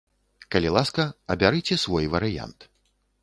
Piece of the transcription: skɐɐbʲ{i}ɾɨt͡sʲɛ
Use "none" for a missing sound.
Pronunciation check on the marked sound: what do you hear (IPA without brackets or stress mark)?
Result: a